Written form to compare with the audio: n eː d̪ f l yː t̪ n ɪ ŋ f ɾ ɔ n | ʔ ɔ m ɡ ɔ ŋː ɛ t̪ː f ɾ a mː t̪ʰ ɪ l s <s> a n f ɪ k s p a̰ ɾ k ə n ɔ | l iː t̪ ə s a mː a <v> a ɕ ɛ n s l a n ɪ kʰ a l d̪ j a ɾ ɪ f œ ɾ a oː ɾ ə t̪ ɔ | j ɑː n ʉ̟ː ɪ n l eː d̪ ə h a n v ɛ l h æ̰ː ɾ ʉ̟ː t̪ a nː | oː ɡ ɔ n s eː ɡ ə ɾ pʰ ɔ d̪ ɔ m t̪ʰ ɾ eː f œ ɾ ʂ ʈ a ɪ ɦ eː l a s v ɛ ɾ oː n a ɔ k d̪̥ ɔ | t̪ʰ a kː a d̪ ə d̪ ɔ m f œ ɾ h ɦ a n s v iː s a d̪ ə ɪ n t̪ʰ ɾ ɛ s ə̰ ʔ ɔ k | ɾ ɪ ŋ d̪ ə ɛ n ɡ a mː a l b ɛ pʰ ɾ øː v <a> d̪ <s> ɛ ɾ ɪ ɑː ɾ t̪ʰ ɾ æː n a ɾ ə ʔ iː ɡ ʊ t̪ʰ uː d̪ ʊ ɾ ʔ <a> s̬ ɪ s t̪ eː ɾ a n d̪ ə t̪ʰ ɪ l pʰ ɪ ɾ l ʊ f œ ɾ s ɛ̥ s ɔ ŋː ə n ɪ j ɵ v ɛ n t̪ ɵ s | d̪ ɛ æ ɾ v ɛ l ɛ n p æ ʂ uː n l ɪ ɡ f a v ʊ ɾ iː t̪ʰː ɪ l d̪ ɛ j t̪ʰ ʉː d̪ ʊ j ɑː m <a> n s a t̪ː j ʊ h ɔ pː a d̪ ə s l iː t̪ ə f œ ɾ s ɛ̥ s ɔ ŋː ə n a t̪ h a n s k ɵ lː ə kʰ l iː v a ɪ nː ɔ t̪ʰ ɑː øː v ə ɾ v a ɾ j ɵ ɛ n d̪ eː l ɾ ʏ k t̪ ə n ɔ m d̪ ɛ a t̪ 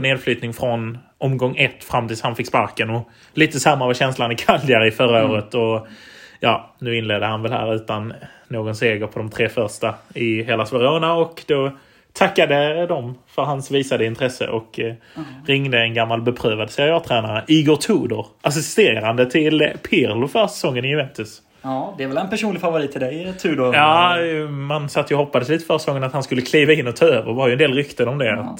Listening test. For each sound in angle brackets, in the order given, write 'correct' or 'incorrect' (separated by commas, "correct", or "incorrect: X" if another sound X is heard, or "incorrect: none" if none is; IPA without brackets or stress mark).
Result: incorrect: h, correct, correct, correct, correct, correct